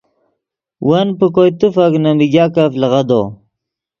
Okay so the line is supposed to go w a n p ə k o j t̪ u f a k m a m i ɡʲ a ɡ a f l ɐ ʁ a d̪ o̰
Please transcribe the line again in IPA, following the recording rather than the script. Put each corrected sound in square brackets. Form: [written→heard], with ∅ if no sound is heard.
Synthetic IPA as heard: w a n p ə k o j t̪ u f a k [m→n] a m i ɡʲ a [ɡ→k] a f l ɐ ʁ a d̪ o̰